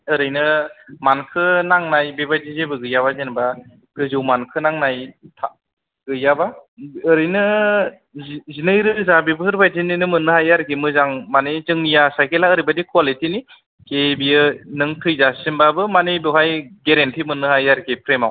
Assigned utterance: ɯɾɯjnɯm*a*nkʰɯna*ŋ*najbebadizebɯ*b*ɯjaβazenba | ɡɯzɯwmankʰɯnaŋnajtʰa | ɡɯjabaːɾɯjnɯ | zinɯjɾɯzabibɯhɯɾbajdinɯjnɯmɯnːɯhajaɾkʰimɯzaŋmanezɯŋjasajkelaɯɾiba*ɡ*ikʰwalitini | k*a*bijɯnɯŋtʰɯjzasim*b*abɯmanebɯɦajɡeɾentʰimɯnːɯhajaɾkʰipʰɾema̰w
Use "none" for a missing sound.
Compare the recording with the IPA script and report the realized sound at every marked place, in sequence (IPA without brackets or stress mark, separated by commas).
a, ŋ, ɡ, d, e, b